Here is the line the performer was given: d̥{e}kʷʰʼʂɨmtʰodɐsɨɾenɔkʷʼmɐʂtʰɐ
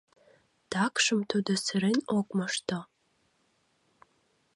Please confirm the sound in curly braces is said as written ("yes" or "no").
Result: no